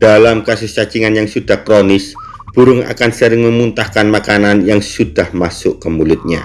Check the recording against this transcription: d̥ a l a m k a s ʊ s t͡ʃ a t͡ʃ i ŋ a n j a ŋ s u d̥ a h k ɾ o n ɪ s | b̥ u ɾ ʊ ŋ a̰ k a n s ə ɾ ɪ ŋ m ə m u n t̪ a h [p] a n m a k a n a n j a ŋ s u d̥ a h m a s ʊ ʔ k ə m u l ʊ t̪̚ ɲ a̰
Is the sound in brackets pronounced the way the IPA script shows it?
no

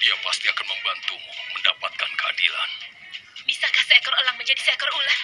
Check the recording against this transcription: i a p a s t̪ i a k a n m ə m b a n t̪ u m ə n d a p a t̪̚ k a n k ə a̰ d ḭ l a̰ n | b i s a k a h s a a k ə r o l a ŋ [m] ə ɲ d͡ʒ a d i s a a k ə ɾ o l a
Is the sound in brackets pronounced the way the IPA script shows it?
yes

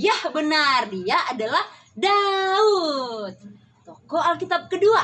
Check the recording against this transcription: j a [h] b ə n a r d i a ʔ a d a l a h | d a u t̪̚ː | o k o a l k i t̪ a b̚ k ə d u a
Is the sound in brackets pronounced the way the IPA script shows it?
yes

